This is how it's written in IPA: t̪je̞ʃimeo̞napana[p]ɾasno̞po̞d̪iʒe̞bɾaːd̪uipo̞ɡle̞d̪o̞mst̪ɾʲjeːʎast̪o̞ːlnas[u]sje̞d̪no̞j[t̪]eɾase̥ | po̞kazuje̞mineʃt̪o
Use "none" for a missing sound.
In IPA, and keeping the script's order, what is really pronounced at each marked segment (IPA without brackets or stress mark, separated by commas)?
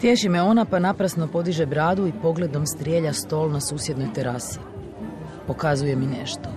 p, uː, t̪